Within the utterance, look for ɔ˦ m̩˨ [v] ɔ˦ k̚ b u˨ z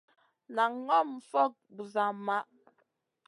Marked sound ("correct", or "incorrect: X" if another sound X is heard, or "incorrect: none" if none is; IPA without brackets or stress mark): incorrect: f